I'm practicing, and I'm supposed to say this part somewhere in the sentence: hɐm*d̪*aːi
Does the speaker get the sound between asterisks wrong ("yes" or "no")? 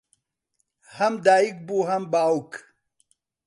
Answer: no